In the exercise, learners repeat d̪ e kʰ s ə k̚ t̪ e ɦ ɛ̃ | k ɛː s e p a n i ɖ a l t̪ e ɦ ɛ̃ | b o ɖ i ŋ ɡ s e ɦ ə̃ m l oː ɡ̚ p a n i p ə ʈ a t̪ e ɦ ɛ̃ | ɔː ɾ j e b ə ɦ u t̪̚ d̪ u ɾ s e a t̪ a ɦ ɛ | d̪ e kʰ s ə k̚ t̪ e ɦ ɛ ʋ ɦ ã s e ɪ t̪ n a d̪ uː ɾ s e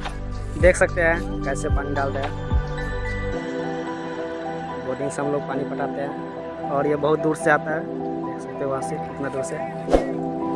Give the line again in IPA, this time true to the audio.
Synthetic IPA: d̪ e kʰ s ə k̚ t̪ e ɦ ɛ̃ | k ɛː s e p a n i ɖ a l t̪ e ɦ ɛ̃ | b o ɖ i ŋ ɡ s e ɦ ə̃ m l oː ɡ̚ p a n i p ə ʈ a t̪ e ɦ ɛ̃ | ɔː ɾ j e b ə ɦ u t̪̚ d̪ u ɾ s e a t̪ a ɦ ɛ | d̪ e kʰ s ə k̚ t̪ e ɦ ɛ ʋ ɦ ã s e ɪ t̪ n a d̪ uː ɾ s e